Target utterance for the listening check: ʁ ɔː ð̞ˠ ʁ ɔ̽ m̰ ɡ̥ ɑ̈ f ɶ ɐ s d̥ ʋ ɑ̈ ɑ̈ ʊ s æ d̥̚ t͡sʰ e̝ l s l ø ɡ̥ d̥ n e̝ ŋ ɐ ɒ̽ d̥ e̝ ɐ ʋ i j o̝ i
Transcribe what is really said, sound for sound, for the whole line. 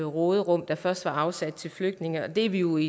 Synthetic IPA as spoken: ʁ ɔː ð̞ˠ ʁ ɔ̽ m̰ d̥ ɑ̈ f ɶ ɐ s d̥ ʋ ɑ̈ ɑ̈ ʊ s æ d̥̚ t͡sʰ e̝ l f l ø ɡ̥ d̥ n e̝ ŋ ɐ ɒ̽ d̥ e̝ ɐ ʋ i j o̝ i